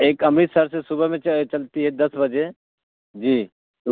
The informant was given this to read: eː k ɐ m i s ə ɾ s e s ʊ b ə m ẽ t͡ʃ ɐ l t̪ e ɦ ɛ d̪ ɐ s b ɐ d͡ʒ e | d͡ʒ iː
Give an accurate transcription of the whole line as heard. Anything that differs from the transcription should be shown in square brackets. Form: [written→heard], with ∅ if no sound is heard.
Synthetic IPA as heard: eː k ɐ m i s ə ɾ s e s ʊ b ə m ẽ t͡ʃ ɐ l t̪ [e→i] ɦ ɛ d̪ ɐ s b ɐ d͡ʒ e | d͡ʒ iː

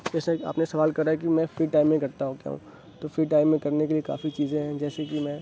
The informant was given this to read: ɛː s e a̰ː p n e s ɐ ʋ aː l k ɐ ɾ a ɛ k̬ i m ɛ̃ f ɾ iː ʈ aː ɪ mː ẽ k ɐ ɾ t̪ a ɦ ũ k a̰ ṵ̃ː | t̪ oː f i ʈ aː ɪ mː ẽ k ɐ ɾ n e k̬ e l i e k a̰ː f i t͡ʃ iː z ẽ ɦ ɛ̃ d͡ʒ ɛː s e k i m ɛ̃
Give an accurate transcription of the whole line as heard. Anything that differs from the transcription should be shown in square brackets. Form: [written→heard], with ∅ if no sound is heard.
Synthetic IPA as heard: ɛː s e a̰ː p n e s ɐ ʋ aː l k ɐ ɾ a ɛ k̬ i m ɛ̃ f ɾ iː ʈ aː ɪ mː ẽ k ɐ ɾ t̪ a ɦ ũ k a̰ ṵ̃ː | t̪ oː f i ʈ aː ɪ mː ẽ k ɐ ɾ n e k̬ e l i e k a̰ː f i t͡ʃ iː z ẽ ɦ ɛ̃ d͡ʒ ɛː s e k i m ɛ̃

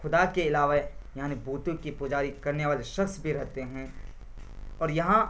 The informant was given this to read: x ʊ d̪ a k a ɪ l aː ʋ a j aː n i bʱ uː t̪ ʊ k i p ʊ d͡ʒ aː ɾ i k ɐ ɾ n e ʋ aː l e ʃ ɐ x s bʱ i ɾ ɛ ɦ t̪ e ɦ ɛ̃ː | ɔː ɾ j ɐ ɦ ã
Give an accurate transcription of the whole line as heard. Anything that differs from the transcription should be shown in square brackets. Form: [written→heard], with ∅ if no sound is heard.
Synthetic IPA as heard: x ʊ d̪ a k [a→e] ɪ l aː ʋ a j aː n i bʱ uː t̪ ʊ k i p ʊ d͡ʒ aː ɾ i k ɐ ɾ n e ʋ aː l e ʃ ɐ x s bʱ i ɾ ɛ ɦ t̪ e ɦ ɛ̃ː | ɔː ɾ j ɐ ɦ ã

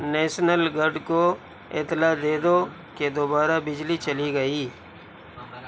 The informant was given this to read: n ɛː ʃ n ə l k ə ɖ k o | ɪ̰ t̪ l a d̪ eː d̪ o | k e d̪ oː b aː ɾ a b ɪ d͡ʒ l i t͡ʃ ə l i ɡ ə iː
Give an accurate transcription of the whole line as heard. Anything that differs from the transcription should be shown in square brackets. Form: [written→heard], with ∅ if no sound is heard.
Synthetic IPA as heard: n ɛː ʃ n ə l [k→ɡ] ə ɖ k o | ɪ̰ t̪ l a d̪ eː d̪ o | k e d̪ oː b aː ɾ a b ɪ d͡ʒ l i t͡ʃ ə l i ɡ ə iː

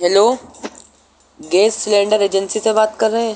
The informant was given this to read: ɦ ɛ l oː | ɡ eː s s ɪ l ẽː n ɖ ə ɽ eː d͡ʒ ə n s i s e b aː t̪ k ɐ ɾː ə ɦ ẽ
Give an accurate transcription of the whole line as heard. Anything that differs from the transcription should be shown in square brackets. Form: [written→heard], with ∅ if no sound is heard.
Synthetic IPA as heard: ɦ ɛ l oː | ɡ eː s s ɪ l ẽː [n→ɳ] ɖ ə [ɽ→ɾ] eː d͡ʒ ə n s i s e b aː t̪ k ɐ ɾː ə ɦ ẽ

